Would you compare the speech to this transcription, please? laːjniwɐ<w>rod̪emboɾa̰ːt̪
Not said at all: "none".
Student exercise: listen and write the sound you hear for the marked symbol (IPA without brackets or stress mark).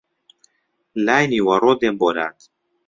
none